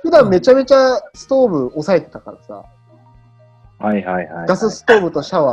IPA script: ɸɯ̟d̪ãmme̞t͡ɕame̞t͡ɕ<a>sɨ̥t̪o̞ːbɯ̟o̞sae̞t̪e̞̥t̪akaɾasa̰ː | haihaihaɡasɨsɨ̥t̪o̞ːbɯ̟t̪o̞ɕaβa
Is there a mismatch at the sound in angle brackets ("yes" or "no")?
no